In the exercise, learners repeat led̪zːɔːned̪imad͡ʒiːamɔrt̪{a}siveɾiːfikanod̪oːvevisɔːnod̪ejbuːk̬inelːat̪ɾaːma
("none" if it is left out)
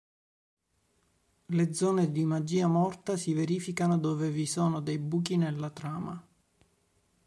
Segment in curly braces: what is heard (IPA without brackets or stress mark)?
a